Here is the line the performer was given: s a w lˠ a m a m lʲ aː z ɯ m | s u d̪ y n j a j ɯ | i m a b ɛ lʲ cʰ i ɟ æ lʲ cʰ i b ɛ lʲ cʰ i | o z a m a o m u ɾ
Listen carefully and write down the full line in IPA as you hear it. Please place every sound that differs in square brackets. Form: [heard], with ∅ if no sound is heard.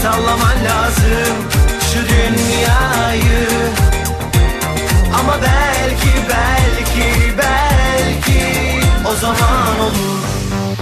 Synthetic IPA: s a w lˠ a m a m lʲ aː z ɯ m | [ʃ] u d̪ y n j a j ɯ | [a] m a b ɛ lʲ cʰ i [b] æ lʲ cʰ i b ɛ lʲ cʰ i | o z a m a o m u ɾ